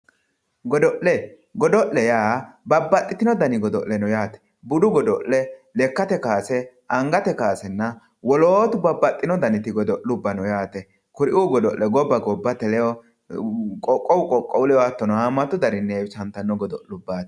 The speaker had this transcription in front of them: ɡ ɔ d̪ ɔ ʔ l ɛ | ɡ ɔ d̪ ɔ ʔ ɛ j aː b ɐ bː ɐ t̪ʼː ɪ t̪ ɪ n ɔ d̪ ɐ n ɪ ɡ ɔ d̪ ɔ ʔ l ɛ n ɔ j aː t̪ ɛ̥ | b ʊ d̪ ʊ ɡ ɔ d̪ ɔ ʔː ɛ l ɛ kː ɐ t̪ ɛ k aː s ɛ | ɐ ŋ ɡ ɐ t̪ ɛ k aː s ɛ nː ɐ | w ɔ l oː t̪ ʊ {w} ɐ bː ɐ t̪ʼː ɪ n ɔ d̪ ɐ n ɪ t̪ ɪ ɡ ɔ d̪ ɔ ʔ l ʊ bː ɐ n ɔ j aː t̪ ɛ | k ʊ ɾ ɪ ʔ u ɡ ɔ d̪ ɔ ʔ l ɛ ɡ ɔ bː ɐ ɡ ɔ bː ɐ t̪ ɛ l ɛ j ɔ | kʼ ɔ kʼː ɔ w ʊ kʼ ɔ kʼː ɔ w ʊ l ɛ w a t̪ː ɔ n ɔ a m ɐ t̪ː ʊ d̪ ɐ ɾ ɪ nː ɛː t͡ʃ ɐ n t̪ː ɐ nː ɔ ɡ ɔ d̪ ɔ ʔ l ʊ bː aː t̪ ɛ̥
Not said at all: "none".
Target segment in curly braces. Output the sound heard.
b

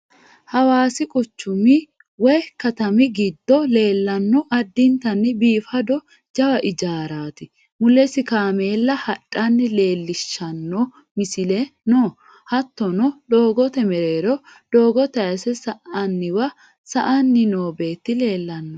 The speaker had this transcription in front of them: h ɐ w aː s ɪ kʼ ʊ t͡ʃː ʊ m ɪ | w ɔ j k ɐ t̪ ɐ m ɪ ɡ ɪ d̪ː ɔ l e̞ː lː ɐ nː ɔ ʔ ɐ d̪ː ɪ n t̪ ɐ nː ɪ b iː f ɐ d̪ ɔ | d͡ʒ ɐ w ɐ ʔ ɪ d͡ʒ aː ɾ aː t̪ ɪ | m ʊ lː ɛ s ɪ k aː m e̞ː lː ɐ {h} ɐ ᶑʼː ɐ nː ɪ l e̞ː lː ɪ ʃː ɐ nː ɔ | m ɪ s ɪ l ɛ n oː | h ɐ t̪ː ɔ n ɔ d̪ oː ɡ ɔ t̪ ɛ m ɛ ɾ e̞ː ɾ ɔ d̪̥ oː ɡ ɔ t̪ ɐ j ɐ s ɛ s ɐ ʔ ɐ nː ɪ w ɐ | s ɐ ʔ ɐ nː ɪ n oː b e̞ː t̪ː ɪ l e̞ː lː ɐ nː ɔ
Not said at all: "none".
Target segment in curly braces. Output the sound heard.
h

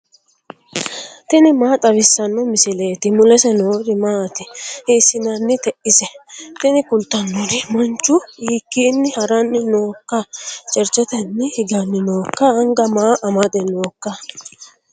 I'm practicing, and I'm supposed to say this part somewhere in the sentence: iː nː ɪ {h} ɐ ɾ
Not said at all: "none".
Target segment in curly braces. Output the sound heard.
h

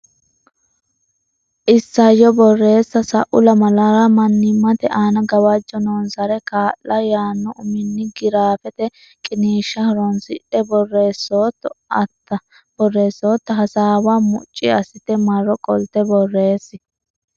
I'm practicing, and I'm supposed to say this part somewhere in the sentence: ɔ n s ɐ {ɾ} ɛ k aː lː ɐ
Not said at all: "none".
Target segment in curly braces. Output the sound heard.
ɾ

